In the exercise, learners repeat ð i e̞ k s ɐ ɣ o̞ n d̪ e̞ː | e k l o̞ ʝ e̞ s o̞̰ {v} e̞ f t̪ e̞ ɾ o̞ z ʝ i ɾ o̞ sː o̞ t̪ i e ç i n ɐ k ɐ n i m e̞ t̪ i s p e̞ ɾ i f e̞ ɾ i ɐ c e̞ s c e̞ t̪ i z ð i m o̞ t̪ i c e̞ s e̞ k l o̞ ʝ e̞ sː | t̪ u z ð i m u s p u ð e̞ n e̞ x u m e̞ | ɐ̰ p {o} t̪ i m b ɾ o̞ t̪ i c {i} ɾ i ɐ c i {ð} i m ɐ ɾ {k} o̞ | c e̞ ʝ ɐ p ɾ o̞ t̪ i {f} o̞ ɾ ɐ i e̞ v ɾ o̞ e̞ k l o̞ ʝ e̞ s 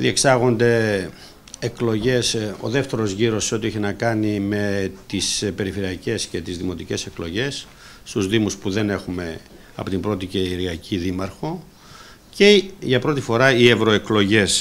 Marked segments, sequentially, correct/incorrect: incorrect, correct, incorrect, correct, incorrect, correct

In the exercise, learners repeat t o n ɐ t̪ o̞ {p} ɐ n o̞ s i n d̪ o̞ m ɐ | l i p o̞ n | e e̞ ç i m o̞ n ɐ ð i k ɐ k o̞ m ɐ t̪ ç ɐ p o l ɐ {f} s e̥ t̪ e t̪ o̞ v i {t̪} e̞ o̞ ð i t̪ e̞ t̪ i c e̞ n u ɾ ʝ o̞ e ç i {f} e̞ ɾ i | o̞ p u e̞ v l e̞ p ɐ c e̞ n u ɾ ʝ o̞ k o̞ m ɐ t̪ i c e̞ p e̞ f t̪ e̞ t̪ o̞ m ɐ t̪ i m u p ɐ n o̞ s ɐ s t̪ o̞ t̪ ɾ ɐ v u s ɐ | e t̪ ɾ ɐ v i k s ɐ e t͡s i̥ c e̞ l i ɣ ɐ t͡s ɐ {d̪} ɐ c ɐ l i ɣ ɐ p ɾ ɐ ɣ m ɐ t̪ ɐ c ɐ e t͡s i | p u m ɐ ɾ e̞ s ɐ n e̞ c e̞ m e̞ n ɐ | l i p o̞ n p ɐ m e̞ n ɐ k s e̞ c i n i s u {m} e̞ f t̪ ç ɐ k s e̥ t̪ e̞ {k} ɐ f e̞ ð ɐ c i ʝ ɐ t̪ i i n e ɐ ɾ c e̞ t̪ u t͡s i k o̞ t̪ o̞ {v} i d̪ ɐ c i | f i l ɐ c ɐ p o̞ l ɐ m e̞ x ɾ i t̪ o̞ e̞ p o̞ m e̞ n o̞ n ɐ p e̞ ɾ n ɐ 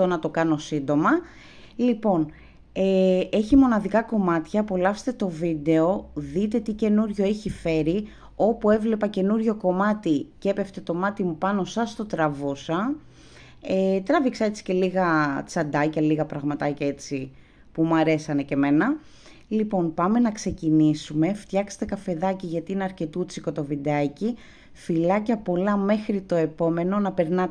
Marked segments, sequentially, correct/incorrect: incorrect, correct, incorrect, correct, correct, correct, correct, correct

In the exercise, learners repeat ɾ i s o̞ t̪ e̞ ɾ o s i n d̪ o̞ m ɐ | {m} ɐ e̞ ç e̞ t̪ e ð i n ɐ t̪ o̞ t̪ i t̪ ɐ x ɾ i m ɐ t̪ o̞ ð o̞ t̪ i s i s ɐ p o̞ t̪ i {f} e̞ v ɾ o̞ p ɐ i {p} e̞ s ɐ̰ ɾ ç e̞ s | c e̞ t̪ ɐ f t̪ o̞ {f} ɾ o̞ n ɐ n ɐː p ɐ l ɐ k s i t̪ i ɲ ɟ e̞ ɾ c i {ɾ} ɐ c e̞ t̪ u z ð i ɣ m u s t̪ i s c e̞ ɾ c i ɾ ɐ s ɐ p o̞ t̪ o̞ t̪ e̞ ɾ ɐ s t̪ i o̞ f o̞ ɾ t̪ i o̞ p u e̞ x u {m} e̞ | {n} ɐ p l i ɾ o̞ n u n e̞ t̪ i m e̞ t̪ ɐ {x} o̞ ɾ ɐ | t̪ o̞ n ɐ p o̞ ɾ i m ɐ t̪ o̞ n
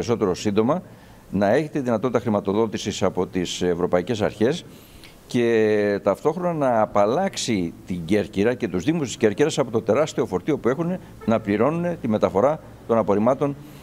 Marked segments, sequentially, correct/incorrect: incorrect, incorrect, incorrect, incorrect, correct, incorrect, correct, incorrect

